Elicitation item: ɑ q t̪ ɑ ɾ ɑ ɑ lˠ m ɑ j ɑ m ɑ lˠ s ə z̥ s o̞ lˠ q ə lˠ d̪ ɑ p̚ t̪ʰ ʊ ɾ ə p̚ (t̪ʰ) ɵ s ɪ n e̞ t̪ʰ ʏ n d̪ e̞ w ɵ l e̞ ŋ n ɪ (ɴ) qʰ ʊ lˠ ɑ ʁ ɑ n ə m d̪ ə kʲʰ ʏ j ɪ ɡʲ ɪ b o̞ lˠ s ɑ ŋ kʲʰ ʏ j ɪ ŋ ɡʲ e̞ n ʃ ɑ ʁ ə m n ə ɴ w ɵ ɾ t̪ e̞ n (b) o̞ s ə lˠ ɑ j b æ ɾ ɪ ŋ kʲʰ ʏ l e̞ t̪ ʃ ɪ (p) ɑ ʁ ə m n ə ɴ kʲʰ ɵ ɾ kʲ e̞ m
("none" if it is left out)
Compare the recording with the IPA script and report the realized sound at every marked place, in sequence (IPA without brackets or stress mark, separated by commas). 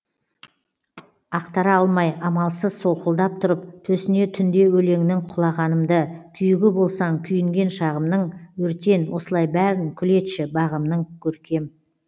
t̪ʰ, ŋ, w, b